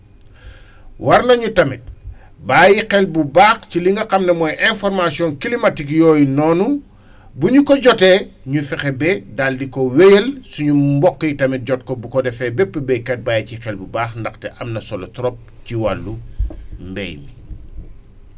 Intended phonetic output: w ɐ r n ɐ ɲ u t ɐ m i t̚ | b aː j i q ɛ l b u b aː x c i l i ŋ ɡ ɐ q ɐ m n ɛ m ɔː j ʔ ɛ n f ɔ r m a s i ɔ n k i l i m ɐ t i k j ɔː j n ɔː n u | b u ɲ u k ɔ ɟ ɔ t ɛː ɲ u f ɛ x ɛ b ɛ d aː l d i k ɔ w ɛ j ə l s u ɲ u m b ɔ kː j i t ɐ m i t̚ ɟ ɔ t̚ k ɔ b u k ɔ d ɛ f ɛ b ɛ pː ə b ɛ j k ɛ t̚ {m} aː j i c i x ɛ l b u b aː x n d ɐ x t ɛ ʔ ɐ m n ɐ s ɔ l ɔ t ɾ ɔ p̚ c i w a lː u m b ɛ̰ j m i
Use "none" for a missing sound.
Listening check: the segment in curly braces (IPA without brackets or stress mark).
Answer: b